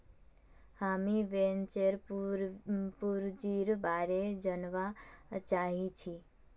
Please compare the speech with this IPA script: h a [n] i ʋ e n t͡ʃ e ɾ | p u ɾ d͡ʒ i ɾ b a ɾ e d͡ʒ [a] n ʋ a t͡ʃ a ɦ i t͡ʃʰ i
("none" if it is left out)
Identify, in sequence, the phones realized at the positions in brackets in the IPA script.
m, ə

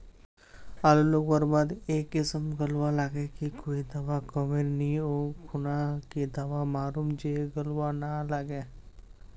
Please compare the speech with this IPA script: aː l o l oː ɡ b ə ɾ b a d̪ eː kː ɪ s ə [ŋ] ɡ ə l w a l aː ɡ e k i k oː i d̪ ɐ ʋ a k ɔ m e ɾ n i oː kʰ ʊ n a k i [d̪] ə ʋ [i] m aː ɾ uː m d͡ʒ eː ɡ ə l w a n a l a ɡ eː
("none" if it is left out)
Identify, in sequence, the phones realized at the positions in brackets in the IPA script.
m, d̪, a

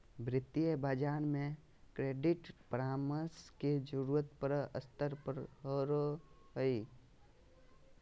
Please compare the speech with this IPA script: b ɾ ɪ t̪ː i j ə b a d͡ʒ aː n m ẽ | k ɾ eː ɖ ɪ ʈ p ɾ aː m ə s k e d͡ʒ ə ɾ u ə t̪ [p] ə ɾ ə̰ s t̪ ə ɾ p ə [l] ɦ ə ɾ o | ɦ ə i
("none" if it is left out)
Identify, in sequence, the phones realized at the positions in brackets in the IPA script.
p, ɾ

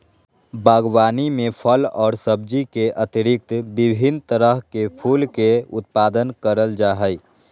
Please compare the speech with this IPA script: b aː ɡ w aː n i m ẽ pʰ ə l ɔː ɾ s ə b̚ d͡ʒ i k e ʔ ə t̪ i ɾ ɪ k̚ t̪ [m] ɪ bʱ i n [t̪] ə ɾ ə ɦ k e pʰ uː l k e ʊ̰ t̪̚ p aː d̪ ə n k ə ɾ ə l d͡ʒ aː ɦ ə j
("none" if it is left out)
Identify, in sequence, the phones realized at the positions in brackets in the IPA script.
b, t̪

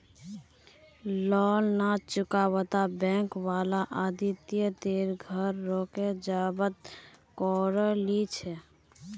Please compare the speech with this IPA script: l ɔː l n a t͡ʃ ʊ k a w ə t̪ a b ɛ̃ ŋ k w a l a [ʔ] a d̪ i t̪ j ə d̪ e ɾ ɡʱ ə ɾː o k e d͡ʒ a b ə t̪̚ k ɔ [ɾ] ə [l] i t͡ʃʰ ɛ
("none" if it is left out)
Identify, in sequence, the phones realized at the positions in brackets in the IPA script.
ʔ, ɾ, l

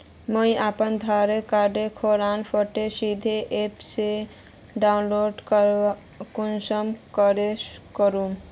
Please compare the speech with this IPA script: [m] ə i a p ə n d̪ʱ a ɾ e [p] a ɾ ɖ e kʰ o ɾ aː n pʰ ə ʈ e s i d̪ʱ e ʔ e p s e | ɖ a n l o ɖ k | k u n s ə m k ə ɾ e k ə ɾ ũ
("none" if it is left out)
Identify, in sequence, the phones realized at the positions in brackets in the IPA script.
m, k

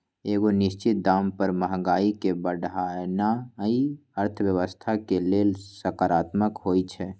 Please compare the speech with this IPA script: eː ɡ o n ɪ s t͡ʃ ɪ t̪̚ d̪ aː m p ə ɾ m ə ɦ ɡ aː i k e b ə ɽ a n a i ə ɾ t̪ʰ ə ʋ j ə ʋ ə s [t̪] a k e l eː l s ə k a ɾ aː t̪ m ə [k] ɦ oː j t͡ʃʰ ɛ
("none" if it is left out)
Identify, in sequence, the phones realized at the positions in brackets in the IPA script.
t̪ʰ, k

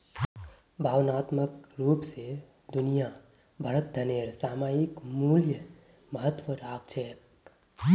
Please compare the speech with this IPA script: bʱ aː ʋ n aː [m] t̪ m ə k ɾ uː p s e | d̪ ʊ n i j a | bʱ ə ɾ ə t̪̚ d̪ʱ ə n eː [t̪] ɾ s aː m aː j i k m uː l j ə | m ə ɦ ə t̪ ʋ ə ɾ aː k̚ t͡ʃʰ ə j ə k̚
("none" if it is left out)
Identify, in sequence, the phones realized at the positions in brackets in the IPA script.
none, none

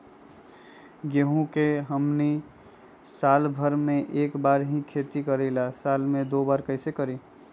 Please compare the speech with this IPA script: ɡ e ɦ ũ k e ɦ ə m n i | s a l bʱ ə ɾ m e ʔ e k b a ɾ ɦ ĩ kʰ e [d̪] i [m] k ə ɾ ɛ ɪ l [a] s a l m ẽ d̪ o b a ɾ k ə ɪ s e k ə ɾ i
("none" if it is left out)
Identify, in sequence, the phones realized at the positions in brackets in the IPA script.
t̪, none, a

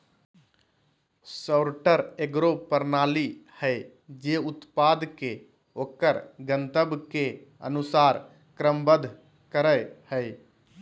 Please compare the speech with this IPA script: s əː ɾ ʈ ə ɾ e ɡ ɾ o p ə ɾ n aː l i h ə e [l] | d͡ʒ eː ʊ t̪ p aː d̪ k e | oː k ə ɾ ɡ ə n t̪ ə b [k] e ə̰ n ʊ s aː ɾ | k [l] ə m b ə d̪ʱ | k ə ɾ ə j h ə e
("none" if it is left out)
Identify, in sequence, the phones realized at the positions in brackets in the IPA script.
none, k, ɾ

